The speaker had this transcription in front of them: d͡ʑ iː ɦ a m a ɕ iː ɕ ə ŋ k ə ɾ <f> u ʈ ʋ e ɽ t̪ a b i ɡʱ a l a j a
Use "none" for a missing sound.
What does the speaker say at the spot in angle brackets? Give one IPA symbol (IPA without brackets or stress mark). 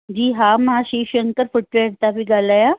f